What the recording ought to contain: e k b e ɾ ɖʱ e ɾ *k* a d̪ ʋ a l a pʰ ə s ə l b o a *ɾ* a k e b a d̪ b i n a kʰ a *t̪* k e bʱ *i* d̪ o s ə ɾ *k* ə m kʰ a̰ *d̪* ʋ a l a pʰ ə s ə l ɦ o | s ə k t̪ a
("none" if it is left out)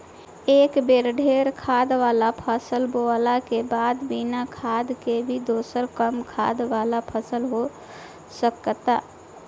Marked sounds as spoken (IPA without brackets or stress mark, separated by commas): kʰ, l, d̪, i, k, d̪